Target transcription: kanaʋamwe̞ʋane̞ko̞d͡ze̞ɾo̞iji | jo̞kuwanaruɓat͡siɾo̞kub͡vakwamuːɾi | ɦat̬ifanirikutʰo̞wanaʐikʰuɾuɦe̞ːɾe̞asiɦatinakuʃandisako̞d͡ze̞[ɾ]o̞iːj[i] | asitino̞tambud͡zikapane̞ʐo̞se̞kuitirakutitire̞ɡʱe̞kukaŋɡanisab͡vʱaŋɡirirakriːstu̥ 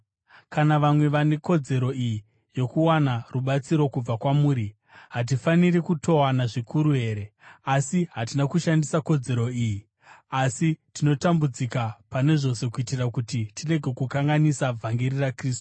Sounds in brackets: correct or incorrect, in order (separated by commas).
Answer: correct, correct